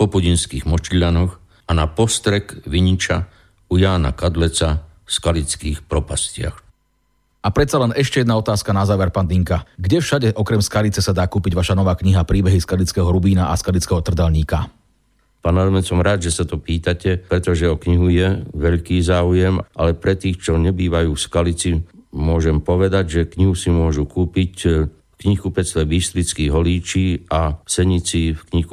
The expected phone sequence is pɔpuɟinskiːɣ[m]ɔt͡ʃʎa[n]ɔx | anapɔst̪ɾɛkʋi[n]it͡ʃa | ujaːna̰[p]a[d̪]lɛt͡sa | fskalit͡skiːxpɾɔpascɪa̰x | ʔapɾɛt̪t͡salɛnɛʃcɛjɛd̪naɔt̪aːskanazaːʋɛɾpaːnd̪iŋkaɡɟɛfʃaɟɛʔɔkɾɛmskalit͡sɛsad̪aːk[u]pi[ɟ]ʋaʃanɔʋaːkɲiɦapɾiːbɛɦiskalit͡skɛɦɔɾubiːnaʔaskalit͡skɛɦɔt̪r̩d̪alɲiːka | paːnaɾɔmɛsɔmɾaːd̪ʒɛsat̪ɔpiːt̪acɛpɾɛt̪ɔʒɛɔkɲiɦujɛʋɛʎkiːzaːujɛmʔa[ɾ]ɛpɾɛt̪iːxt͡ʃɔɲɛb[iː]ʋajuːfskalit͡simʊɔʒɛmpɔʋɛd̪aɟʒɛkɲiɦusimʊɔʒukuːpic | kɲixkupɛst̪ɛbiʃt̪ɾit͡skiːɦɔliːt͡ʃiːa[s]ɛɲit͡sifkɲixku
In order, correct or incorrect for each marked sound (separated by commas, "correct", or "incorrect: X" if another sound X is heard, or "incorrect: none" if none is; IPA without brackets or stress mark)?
correct, correct, incorrect: ɲ, incorrect: k, correct, incorrect: uː, correct, incorrect: l, correct, correct